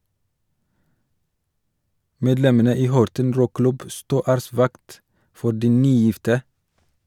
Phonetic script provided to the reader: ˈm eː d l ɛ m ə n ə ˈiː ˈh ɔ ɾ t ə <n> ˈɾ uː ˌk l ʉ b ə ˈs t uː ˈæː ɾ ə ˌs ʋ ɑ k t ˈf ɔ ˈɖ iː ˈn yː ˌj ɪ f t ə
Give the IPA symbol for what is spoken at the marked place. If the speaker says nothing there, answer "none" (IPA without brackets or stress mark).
n